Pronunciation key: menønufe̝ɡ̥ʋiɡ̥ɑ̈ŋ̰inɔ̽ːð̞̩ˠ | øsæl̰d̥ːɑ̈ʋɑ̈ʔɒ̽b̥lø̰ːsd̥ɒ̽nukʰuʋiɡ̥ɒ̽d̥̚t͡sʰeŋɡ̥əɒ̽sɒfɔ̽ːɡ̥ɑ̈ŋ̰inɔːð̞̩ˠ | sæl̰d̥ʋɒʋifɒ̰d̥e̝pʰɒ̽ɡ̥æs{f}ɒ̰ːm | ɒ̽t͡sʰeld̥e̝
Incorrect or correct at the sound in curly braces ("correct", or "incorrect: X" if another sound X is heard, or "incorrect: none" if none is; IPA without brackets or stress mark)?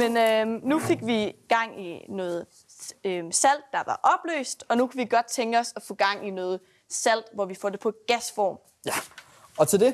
correct